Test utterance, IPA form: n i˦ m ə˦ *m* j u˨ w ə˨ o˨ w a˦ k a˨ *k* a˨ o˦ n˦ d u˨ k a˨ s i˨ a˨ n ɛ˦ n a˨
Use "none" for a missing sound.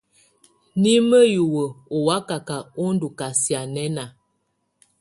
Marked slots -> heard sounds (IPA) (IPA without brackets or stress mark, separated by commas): none, k